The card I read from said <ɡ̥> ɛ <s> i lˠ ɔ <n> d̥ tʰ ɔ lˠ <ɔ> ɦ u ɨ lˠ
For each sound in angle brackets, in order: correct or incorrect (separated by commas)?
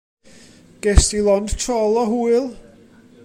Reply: correct, correct, correct, correct